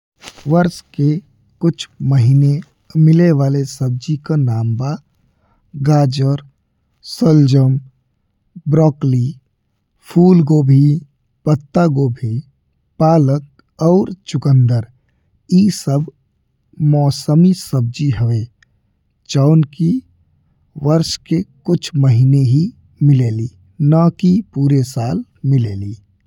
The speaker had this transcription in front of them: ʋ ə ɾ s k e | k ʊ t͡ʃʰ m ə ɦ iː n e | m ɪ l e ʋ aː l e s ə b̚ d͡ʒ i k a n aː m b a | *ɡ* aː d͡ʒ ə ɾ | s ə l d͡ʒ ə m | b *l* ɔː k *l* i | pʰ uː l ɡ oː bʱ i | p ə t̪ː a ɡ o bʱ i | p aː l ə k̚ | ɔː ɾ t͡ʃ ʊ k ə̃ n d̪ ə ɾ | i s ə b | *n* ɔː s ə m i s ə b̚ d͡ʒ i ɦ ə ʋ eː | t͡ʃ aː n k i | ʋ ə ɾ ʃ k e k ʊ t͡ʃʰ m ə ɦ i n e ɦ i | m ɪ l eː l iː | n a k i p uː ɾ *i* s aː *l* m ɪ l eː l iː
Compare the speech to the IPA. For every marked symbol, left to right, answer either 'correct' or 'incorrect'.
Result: correct, incorrect, correct, incorrect, incorrect, correct

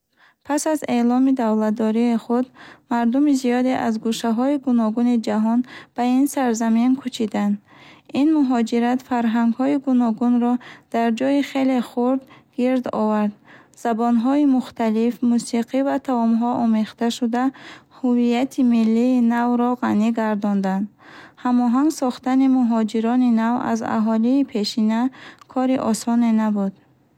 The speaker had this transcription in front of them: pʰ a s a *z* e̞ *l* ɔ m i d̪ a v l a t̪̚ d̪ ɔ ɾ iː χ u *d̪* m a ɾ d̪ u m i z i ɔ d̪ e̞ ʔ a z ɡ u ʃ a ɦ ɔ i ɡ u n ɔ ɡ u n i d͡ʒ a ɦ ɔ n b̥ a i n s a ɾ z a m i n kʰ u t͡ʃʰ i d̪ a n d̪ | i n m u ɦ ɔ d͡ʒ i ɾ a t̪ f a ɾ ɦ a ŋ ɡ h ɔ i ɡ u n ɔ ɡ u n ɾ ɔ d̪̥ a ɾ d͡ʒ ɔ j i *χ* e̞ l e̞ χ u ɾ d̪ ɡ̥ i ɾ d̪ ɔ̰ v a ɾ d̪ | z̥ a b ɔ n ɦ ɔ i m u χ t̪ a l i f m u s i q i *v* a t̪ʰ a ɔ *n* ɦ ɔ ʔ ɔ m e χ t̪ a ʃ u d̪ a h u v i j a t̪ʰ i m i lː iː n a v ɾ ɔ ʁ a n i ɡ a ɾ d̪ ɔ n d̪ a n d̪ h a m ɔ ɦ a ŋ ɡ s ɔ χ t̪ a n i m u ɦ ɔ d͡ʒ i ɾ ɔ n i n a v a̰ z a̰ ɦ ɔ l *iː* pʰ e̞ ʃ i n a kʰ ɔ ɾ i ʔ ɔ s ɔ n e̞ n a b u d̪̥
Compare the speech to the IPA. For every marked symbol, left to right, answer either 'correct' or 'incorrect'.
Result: correct, correct, correct, correct, correct, incorrect, correct

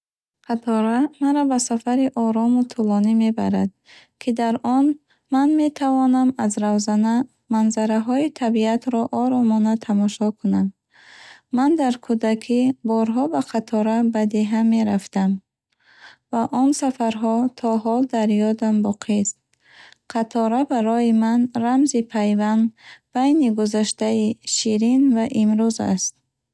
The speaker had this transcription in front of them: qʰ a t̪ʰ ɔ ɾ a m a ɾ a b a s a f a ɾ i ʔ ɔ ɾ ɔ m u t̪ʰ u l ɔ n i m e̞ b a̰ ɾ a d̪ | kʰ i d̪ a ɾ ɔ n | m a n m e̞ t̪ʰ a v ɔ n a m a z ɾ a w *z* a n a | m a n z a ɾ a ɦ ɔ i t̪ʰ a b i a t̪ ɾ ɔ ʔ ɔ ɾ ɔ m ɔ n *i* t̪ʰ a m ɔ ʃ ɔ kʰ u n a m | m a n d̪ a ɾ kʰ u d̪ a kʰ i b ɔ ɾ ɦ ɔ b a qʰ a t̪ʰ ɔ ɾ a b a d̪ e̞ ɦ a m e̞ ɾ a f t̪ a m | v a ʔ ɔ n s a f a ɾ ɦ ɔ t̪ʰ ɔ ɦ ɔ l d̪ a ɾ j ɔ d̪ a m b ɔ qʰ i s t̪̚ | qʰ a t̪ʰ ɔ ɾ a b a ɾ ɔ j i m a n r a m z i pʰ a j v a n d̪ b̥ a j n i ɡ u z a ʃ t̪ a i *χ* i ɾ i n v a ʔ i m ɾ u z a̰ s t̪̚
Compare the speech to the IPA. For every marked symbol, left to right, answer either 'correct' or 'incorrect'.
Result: correct, incorrect, incorrect

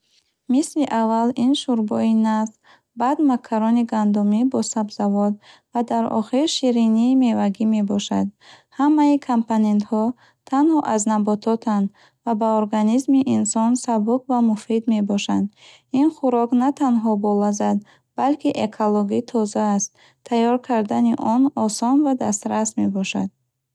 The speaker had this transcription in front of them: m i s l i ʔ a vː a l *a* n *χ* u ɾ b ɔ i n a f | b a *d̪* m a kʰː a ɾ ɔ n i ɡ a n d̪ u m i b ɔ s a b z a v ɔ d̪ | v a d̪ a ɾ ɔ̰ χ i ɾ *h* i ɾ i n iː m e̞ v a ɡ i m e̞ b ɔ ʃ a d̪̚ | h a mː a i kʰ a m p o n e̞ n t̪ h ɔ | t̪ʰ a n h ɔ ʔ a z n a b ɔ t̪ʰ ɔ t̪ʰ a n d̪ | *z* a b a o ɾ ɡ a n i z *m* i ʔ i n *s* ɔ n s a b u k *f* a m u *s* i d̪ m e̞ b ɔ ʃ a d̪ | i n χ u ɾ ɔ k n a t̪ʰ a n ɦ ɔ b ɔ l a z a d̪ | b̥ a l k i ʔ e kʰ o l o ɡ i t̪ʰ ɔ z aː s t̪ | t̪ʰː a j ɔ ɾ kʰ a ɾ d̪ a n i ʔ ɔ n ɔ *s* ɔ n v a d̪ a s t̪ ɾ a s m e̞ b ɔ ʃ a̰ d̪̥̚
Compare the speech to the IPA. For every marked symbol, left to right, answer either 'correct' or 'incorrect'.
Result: incorrect, incorrect, correct, incorrect, incorrect, correct, correct, incorrect, incorrect, correct

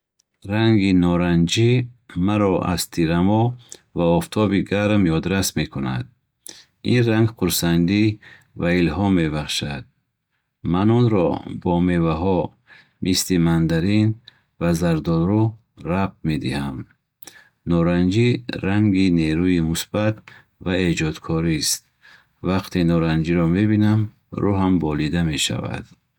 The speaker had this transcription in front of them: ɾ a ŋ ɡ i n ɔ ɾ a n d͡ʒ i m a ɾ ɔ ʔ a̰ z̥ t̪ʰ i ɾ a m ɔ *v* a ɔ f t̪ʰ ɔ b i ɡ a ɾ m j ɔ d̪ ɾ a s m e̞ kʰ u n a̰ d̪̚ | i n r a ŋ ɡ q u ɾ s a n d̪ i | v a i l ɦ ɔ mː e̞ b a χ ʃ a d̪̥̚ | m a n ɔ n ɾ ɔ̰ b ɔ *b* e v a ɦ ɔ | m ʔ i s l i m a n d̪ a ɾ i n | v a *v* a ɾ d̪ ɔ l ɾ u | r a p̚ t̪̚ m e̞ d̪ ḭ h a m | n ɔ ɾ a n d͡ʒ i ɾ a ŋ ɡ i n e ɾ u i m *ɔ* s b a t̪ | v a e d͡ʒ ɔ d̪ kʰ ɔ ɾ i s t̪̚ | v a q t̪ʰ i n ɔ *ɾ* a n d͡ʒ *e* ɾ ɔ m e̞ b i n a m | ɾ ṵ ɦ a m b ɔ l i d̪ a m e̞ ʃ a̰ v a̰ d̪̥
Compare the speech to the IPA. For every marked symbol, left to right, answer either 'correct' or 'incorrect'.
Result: correct, incorrect, incorrect, incorrect, correct, incorrect

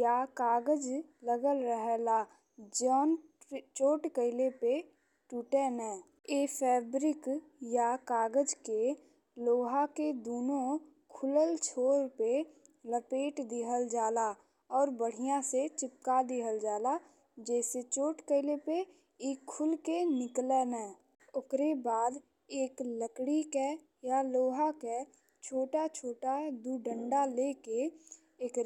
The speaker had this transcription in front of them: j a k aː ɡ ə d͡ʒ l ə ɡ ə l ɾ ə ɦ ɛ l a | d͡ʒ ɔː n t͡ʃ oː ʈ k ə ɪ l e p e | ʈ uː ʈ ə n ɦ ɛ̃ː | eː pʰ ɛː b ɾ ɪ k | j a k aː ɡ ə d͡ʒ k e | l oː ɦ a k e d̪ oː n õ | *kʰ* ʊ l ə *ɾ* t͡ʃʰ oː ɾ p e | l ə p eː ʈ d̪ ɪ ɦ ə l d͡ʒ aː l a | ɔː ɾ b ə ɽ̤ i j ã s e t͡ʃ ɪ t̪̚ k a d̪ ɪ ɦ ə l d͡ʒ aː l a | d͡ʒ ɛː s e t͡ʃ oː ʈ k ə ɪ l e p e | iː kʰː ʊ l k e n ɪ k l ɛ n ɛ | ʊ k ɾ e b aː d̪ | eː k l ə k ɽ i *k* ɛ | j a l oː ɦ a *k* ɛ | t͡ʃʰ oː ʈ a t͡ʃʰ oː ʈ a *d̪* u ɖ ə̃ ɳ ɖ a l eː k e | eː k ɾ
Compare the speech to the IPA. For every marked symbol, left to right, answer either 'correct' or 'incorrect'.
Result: correct, incorrect, correct, correct, correct

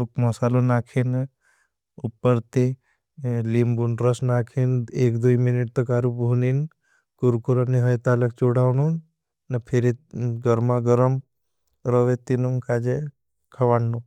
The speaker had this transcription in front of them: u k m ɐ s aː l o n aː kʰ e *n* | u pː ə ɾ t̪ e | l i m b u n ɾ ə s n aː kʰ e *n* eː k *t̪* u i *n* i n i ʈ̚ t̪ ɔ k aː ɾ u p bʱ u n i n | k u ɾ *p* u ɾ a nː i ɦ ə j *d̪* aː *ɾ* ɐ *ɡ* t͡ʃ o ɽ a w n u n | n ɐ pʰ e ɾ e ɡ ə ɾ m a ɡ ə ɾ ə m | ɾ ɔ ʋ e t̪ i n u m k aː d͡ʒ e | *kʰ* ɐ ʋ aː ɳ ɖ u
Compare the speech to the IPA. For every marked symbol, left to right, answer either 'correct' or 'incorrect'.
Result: correct, correct, incorrect, incorrect, incorrect, incorrect, incorrect, incorrect, correct

